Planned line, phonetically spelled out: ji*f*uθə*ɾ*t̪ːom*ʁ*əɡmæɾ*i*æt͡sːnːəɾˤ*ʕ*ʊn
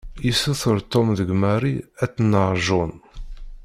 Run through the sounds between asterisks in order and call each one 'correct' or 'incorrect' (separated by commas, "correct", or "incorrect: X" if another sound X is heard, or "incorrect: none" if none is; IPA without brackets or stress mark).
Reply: incorrect: s, correct, incorrect: ð, correct, incorrect: ʒ